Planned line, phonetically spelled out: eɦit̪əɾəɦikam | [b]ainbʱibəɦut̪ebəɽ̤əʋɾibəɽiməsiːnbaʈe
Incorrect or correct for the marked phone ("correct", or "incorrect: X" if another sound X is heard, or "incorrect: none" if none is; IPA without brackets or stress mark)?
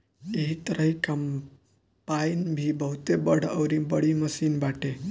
incorrect: p